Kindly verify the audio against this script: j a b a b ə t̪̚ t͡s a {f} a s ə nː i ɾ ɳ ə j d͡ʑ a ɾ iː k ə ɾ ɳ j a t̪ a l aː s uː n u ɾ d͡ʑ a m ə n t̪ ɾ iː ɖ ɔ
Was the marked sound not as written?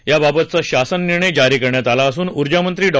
yes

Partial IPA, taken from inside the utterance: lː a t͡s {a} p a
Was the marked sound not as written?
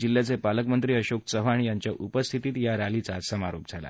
yes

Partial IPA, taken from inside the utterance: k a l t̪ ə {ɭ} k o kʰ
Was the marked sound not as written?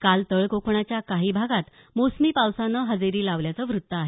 no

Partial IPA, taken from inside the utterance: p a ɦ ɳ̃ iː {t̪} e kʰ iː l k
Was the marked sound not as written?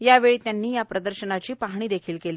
yes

